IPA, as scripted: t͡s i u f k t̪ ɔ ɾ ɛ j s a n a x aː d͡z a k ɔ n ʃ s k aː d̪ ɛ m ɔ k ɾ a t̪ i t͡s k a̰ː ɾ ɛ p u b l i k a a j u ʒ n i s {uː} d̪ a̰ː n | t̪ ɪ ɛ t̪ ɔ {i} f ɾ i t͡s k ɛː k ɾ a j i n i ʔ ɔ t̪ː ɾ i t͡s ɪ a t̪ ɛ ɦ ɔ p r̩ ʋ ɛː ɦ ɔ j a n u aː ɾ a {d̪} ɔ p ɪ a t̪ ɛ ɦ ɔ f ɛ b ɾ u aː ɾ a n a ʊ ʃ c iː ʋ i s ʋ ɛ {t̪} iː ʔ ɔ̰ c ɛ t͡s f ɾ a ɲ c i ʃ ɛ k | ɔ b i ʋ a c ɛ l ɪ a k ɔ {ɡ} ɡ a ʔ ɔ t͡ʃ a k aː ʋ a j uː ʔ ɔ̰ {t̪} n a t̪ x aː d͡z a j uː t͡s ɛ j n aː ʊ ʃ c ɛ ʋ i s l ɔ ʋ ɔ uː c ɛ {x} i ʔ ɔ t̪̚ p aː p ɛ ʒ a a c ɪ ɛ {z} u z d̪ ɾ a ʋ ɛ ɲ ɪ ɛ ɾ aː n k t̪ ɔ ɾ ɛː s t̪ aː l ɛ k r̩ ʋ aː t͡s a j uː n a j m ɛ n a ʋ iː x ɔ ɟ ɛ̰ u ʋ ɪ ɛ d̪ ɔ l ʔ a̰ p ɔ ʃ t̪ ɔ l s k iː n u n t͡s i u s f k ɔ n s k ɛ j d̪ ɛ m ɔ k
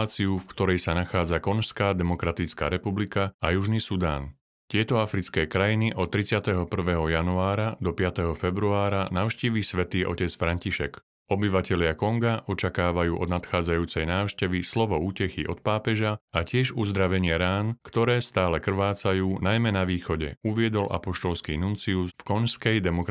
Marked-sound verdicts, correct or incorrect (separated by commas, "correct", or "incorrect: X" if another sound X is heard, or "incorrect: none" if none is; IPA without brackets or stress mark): incorrect: u, incorrect: a, correct, correct, incorrect: ŋ, incorrect: d̪, correct, incorrect: ʒ